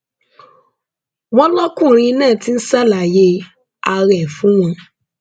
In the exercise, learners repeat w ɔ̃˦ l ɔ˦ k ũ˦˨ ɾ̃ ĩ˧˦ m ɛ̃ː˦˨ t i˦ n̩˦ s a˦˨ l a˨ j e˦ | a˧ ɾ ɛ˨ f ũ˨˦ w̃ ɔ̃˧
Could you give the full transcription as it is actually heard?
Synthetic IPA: w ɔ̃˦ l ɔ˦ k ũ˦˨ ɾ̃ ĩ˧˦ n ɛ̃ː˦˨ t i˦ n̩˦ s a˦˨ l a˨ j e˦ | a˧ ɾ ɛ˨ f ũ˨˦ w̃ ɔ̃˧